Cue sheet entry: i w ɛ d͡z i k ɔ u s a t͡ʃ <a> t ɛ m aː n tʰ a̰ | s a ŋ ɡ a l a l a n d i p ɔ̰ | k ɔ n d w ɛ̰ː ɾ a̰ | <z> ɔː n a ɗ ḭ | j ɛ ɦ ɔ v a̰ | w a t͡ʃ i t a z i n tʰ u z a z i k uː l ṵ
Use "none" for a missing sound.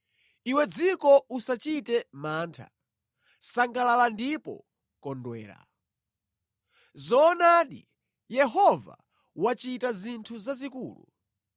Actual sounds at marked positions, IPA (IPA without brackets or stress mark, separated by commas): i, z